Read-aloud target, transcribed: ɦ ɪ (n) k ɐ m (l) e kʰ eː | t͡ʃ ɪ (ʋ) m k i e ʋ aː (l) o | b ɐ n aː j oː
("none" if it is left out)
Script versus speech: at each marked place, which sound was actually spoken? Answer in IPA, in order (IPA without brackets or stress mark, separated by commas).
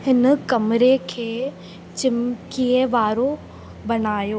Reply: n, ɾ, none, ɾ